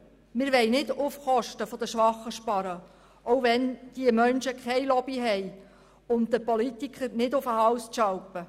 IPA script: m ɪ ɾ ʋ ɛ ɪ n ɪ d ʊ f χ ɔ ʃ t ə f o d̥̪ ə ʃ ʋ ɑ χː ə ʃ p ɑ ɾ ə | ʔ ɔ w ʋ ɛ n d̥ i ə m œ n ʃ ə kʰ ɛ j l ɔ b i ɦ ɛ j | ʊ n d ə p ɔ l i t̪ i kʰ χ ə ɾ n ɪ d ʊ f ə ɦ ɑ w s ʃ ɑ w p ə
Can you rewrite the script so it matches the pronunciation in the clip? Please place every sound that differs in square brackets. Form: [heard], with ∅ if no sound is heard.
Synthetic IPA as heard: m ɪ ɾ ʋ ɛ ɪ n ɪ d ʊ f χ ɔ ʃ t ə f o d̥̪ ə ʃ ʋ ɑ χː ə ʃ p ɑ ɾ ə | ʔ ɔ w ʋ ɛ n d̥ i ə m œ n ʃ ə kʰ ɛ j l ɔ b i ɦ ɛ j | ʊ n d ə p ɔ l i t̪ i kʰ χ ə ɾ n ɪ d ʊ f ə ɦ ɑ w s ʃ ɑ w p ə